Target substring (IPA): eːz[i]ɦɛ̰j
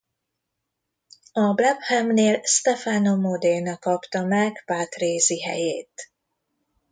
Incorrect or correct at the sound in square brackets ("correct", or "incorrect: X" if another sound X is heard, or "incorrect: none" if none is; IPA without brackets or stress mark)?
correct